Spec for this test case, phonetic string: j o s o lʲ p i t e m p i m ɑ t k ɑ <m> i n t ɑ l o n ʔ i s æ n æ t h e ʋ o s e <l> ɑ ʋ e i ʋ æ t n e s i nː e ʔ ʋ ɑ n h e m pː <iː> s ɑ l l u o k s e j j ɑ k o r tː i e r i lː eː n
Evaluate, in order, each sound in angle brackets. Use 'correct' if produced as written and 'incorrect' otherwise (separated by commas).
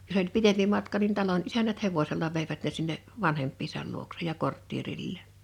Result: incorrect, incorrect, correct